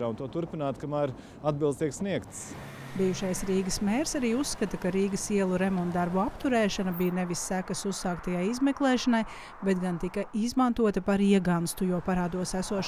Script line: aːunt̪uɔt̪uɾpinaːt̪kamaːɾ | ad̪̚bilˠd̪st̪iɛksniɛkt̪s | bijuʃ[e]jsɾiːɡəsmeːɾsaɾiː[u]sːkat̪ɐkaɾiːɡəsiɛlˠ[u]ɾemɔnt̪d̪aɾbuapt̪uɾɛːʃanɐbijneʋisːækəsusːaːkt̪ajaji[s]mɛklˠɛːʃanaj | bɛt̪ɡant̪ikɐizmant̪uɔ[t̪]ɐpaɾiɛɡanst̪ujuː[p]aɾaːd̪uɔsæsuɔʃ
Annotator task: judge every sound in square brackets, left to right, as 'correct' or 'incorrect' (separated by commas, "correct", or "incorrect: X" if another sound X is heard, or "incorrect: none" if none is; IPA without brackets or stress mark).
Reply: incorrect: a, correct, correct, incorrect: z, correct, correct